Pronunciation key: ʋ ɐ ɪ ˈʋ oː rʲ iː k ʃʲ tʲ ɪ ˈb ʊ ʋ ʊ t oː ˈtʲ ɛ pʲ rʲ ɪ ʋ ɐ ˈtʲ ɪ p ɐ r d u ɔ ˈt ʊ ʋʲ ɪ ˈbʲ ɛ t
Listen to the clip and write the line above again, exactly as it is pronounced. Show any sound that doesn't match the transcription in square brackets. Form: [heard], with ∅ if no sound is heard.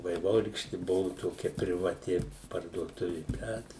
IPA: ʋ ɐ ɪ ˈʋ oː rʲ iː k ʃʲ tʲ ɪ ˈb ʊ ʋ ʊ t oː [ˈkʲ] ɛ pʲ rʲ ɪ ʋ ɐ ˈtʲ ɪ p ɐ r d u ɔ ˈt ʊ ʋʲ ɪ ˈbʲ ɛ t